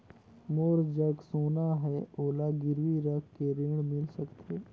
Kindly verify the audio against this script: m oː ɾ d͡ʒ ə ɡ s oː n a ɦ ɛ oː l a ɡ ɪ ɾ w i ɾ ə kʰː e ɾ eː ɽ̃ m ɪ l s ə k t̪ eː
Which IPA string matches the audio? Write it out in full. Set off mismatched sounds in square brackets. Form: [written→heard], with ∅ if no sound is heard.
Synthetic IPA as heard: m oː ɾ d͡ʒ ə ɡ s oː n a ɦ ɛ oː l a ɡ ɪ ɾ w i ɾ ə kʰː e ɾ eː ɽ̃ m ɪ l s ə k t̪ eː